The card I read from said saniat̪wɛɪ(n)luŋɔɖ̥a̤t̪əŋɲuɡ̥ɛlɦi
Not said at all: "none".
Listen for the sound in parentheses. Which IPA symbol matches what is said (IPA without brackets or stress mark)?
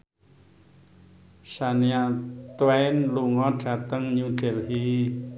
n